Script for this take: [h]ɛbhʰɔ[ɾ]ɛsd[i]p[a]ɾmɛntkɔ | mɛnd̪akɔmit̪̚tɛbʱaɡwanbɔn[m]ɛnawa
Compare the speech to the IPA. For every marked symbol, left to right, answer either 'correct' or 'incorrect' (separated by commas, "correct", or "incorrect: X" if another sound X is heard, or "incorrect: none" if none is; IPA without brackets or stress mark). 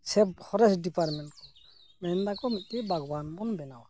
incorrect: s, correct, correct, correct, incorrect: b